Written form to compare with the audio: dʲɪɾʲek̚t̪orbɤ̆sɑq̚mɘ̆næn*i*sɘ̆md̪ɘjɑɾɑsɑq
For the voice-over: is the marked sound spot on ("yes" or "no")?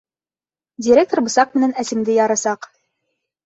no